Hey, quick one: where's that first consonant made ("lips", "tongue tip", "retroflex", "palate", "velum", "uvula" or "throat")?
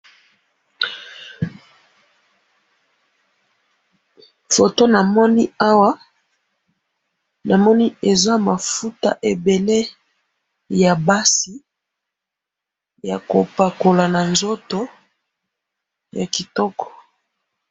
lips